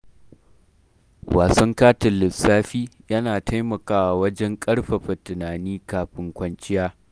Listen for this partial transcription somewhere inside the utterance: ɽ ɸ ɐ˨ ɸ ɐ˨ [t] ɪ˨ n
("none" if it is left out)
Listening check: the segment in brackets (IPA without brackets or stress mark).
t